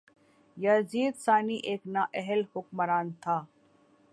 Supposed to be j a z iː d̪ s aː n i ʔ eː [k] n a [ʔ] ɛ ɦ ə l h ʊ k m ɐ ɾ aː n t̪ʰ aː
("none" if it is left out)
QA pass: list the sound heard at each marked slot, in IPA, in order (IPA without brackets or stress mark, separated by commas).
k, ʔ